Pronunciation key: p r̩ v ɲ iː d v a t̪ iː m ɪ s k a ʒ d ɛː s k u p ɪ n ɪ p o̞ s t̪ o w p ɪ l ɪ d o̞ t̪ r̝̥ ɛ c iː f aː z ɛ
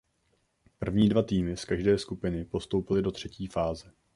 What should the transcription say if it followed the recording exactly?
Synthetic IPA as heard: p r̩ v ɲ iː d v a t̪ iː m ɪ s k a ʒ d ɛː s k u p ɪ n ɪ p o̞ s t̪ o w p ɪ l ɪ d o̞ t̪ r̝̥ ɛ c iː f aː z ɛ